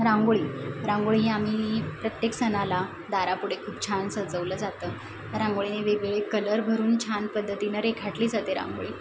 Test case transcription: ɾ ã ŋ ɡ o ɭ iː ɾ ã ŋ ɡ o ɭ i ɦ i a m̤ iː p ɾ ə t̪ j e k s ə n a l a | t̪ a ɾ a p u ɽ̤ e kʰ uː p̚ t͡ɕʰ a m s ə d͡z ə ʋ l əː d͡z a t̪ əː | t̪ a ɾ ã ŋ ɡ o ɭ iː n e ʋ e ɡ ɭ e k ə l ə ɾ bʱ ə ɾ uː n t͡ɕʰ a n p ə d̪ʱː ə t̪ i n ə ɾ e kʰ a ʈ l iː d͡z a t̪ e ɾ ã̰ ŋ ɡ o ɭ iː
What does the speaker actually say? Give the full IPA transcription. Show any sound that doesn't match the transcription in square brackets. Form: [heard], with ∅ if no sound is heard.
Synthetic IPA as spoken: ɾ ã ŋ ɡ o ɭ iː ɾ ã ŋ ɡ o ɭ i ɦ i a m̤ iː p ɾ ə t̪ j e k s ə n a l a | [d̪] a ɾ a p u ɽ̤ e kʰ uː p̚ t͡ɕʰ a [n] s ə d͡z ə ʋ l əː d͡z a t̪ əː | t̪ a ɾ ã ŋ ɡ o ɭ [i] n e ʋ e ɡ ɭ e k ə l ə ɾ bʱ ə ɾ uː n t͡ɕʰ a n p ə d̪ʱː ə t̪ i n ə ɾ e kʰ a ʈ l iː d͡z a t̪ e ɾ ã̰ ŋ ɡ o ɭ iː